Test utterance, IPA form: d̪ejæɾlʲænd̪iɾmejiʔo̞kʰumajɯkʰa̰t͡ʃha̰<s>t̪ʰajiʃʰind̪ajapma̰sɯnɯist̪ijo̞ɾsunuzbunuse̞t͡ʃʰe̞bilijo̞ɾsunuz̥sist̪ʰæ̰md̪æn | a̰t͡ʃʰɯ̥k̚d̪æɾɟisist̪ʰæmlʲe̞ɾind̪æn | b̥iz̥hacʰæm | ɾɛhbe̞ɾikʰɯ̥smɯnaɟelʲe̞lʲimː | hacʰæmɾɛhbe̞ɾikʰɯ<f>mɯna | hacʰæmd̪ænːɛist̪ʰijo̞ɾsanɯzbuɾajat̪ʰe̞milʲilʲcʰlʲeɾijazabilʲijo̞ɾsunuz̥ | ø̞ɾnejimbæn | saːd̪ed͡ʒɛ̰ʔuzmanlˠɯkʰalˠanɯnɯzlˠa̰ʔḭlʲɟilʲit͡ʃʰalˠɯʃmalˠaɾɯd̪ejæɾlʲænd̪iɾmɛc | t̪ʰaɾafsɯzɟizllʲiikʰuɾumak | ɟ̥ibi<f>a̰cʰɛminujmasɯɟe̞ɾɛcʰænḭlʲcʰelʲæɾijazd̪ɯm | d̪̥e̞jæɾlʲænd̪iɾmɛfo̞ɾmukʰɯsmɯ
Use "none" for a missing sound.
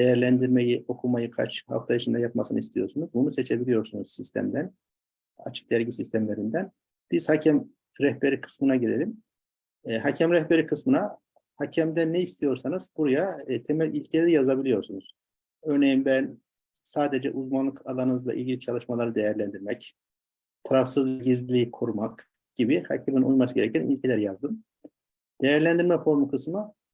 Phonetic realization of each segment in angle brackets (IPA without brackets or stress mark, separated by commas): f, s, h